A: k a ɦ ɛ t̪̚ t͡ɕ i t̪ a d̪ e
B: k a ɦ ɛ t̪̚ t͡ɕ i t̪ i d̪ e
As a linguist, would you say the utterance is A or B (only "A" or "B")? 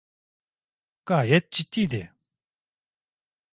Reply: B